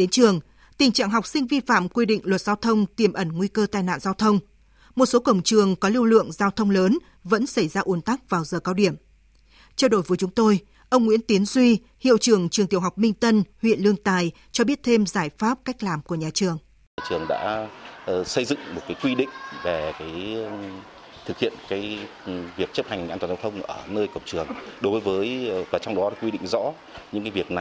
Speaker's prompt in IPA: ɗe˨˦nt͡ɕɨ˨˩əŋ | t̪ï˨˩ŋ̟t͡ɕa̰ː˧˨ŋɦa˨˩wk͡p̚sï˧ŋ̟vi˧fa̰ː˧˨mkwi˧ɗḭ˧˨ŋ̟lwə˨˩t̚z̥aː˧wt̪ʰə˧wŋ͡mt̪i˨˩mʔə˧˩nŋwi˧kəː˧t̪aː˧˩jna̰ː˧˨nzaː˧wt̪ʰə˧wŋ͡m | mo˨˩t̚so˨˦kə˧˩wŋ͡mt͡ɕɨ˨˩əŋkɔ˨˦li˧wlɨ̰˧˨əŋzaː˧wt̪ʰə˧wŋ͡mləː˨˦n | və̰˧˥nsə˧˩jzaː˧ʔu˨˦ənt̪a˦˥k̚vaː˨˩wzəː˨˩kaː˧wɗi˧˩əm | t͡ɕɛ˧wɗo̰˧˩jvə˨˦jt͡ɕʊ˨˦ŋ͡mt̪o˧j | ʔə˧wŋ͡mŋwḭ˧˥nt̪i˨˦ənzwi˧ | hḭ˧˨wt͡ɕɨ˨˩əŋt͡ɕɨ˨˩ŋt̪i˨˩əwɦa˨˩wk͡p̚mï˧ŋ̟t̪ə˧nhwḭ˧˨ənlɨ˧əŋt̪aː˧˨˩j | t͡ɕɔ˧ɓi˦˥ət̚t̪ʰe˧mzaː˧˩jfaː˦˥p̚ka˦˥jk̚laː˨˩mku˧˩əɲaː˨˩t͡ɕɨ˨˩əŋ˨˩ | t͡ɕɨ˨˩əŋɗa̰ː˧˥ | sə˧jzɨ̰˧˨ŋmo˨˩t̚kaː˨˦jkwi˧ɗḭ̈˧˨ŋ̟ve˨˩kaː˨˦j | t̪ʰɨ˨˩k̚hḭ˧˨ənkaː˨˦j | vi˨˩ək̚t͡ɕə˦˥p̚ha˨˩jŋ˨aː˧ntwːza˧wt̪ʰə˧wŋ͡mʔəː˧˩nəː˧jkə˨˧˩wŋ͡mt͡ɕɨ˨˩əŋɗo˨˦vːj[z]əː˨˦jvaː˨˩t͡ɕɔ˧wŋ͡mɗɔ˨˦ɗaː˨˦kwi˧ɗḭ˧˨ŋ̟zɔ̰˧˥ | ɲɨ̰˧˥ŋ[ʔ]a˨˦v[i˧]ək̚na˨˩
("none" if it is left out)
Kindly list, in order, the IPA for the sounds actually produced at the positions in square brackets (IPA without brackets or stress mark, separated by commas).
v, k, i˨˩